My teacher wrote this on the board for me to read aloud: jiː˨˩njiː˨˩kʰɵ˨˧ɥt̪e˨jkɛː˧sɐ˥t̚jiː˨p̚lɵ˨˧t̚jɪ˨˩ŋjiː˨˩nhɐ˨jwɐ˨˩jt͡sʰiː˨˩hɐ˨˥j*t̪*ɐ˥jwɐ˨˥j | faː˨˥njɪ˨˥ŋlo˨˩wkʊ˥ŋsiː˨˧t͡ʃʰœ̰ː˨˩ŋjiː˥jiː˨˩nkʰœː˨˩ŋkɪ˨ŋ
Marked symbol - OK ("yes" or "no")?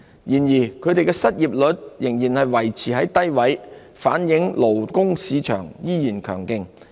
yes